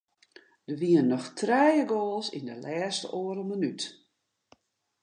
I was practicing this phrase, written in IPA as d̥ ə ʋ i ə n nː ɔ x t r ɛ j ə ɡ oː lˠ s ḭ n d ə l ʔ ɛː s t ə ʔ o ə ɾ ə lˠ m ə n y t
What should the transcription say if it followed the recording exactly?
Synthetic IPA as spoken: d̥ ə ʋ i ə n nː ɔ x t r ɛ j ə ɡ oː lˠ s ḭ n d ə l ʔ ɛː s t ə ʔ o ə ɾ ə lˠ m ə n y t